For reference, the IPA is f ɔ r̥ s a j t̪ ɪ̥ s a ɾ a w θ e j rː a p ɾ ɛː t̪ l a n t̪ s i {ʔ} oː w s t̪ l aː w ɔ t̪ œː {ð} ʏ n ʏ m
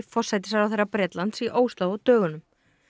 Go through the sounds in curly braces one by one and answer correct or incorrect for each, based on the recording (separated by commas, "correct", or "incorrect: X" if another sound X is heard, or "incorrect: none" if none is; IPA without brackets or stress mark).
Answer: correct, incorrect: ɣ